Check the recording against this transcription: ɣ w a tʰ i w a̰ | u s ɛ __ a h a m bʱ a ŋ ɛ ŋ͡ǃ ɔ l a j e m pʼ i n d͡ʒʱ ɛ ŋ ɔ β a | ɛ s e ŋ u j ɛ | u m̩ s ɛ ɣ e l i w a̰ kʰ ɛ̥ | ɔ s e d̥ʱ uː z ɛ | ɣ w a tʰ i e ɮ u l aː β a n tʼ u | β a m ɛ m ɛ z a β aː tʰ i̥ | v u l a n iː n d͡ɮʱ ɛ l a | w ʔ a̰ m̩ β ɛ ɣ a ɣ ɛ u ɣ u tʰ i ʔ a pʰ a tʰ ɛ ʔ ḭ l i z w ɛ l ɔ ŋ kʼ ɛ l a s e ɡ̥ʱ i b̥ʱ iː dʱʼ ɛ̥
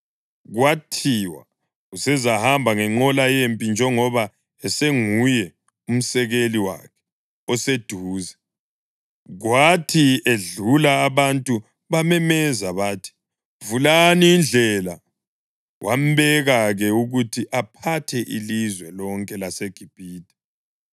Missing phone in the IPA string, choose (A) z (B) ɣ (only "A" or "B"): A